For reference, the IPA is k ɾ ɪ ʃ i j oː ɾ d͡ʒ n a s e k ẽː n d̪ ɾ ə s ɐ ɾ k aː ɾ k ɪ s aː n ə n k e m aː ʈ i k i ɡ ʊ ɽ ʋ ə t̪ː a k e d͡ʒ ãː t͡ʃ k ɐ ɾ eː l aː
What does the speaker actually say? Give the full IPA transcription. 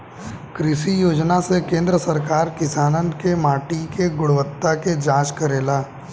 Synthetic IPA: k ɾ ɪ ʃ i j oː d͡ʒ n a s e k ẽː n d̪ ɾ ə s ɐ ɾ k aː ɾ k ɪ s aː n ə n k e m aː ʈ i k e ɡ ʊ ɽ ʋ ə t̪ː a k e d͡ʒ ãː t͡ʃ k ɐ ɾ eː l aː